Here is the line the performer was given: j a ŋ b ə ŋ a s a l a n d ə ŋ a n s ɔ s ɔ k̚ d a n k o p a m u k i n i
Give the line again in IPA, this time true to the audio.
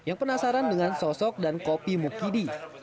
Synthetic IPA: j a ŋ p ə n a s a ɾ a n d ə ŋ a n s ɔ s ɔ k̚ d a n k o p i m u k i d i